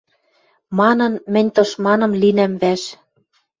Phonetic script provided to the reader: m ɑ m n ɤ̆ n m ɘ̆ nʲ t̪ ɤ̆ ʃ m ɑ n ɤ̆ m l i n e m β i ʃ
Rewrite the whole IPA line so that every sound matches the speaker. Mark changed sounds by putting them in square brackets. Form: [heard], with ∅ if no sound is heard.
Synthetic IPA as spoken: m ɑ [∅] n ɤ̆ n m ɘ̆ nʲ t̪ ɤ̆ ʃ m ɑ n ɤ̆ m l i n [æ] m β [æ] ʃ